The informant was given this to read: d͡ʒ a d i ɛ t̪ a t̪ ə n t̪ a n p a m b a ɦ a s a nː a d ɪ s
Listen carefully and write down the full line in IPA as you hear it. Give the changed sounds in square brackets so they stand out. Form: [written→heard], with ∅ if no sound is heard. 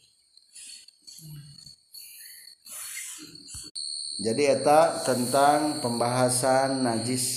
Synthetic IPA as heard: d͡ʒ a d i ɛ t̪ a t̪ ə n t̪ a [n→ŋ] p [a→ə] m b a ɦ a s a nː a [d→d͡ʒ] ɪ s